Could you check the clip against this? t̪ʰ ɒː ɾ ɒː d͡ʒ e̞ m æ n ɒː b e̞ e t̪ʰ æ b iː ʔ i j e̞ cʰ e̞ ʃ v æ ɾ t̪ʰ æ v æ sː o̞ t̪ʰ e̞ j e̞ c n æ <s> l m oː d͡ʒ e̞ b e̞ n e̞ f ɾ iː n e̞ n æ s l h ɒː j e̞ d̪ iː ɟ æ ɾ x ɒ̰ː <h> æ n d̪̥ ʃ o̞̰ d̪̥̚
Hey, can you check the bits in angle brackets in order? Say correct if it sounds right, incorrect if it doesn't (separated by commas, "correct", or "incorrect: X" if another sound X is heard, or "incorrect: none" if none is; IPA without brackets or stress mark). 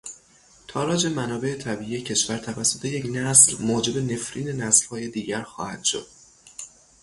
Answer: correct, correct